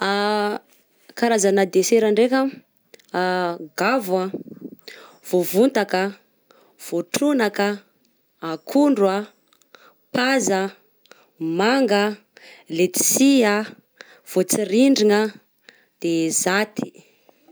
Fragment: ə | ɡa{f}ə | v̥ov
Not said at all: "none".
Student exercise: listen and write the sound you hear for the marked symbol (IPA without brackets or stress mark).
v